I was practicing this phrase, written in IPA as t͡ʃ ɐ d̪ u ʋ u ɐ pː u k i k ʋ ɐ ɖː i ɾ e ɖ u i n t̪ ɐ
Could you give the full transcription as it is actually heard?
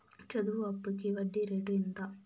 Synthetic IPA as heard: t͡ʃ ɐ d̪ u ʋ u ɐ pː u k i ʋ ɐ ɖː i ɾ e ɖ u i n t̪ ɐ